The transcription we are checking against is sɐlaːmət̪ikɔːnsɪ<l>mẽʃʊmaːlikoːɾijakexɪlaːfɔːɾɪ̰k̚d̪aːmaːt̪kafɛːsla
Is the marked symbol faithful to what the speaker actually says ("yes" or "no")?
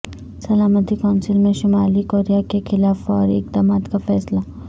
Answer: yes